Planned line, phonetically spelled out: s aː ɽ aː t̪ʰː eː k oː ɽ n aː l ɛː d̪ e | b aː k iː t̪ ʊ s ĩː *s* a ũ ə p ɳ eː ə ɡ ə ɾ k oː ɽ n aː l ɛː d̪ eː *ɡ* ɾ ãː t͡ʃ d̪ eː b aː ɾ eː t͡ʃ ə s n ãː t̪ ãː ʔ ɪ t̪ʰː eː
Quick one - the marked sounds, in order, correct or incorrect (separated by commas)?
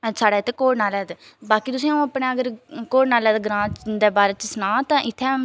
incorrect, correct